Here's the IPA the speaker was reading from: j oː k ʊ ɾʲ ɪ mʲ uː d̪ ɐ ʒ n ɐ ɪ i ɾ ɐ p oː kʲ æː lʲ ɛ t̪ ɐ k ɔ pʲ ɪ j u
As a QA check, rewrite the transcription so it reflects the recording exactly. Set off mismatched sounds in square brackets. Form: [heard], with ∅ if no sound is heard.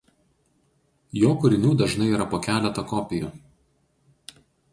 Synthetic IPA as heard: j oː k ʊ ɾʲ ɪ [nʲ] uː d̪ ɐ ʒ n ɐ ɪ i ɾ ɐ p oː kʲ æː lʲ ɛ t̪ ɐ k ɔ pʲ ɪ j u